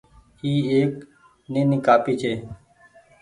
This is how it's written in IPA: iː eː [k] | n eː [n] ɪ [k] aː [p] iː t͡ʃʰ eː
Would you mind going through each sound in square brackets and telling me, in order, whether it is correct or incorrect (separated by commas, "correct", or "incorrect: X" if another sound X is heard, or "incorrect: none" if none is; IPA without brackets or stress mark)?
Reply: correct, correct, correct, correct